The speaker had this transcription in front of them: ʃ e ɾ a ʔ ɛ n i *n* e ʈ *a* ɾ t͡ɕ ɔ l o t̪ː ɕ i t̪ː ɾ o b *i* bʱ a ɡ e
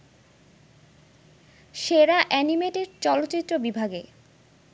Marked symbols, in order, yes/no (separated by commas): no, no, yes